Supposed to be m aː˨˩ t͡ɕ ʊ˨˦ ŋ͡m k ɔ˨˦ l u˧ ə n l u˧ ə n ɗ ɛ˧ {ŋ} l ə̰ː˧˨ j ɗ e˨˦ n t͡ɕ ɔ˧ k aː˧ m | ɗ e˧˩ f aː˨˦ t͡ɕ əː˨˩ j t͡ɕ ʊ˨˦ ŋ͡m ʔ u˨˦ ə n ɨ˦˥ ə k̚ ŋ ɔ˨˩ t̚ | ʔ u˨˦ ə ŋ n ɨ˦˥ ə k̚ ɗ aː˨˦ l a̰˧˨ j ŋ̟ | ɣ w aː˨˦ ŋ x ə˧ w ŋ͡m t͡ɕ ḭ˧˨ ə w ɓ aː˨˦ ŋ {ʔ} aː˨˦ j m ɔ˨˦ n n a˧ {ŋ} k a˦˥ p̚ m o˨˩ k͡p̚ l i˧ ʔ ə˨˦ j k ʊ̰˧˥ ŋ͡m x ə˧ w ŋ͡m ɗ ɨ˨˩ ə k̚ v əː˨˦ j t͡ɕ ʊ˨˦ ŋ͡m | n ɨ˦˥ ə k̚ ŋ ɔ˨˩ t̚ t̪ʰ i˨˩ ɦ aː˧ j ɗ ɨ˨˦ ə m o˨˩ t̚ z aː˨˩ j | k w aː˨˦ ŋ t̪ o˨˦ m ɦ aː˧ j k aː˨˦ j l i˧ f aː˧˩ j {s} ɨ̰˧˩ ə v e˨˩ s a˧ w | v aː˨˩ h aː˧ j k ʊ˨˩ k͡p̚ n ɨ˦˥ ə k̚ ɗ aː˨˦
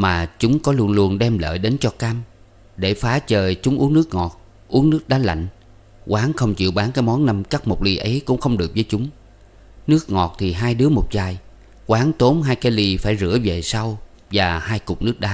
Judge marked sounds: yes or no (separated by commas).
no, no, no, no